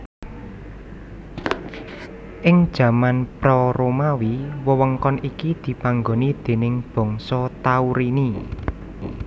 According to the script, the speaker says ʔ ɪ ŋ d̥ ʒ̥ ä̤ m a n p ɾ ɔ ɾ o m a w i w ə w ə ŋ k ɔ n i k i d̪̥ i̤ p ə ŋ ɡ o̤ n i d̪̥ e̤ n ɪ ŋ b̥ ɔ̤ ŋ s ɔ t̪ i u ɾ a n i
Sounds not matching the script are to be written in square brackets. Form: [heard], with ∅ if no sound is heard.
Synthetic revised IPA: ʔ ɪ ŋ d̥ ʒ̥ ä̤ m a n p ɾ ɔ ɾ o m a w i w ə w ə ŋ k ɔ n i k i d̪̥ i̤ p [a] ŋ ɡ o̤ n i d̪̥ e̤ n ɪ ŋ b̥ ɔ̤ ŋ s ɔ t̪ [a] u ɾ [i] n i